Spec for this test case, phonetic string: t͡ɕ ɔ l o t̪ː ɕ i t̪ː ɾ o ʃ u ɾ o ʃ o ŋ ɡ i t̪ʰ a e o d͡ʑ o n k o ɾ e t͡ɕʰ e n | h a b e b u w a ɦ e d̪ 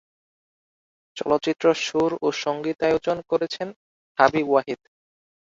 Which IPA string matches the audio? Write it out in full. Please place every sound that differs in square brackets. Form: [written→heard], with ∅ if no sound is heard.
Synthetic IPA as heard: t͡ɕ ɔ l o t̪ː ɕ i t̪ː ɾ o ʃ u ɾ o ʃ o ŋ ɡ i [t̪ʰ→t̪] a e o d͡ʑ o n k o ɾ e t͡ɕʰ e n | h a b [e→i] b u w a ɦ [e→i] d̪